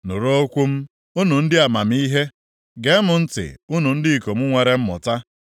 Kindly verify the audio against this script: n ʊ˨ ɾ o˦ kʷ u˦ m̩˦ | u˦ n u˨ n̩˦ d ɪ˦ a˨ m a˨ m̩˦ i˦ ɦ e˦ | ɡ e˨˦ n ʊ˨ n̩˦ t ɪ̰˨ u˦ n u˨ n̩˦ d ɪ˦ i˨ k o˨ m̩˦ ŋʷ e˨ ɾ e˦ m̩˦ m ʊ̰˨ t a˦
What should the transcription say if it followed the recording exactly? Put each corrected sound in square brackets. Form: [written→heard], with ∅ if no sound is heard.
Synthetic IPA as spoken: n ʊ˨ ɾ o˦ kʷ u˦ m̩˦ | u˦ n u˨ n̩˦ d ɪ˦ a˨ m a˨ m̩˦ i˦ ɦ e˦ | ɡ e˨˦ [n→m] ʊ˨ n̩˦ t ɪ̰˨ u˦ n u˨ n̩˦ d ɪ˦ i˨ k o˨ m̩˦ ŋʷ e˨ ɾ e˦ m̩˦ m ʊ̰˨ t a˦